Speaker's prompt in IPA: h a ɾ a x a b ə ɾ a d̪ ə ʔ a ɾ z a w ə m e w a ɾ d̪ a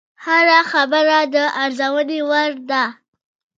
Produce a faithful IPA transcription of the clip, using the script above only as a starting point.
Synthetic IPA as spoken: h a ɾ a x a b ə ɾ a d̪ ə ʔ a ɾ z a w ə n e w a ɾ d̪ a